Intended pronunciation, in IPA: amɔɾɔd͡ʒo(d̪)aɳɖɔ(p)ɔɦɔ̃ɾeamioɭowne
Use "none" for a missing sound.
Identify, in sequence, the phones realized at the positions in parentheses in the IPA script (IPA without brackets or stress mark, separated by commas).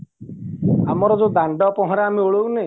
d̪, p